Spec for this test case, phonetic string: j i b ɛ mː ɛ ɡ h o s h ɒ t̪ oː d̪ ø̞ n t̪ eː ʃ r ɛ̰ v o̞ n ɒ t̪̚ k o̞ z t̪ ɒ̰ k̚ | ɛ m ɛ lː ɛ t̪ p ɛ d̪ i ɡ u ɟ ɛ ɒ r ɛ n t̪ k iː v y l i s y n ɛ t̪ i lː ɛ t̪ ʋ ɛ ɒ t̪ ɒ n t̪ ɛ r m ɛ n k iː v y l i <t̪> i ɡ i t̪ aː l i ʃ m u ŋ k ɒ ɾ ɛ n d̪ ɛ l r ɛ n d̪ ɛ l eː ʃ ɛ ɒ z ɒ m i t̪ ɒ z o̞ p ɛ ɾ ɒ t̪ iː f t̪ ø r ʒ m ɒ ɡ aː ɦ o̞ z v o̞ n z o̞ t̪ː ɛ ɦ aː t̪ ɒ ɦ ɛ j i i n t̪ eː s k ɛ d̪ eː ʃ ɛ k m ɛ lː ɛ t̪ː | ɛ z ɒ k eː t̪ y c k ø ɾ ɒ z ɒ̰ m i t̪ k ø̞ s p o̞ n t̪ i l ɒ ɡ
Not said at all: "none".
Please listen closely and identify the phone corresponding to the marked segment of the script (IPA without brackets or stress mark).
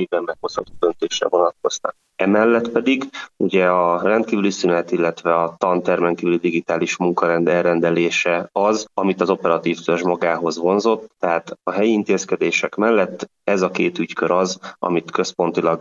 d̪